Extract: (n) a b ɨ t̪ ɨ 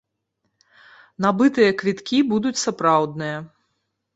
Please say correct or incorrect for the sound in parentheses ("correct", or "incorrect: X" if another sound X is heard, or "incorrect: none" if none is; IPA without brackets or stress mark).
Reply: correct